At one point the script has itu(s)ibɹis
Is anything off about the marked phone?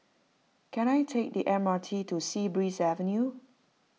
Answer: no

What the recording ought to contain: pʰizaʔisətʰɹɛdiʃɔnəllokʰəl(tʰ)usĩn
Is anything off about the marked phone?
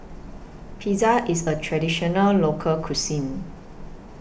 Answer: yes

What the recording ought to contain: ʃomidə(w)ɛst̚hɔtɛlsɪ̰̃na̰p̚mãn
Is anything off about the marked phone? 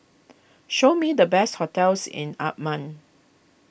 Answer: yes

